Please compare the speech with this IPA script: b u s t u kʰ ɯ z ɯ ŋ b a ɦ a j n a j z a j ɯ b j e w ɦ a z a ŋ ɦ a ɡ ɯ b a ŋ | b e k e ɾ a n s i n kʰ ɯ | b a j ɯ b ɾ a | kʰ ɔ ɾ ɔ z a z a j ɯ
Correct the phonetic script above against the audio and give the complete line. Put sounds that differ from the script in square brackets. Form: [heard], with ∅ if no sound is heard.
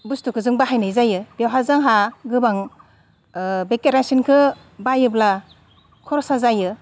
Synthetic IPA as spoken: b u s t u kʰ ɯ z ɯ ŋ b a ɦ a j n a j z a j ɯ b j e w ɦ a z a ŋ ɦ a ɡ ɯ b a ŋ | b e k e ɾ a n s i n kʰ ɯ | b a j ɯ b [l] a | kʰ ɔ ɾ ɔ [s] a z a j ɯ